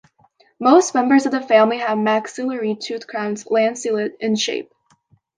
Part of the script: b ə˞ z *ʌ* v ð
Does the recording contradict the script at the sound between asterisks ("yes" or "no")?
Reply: no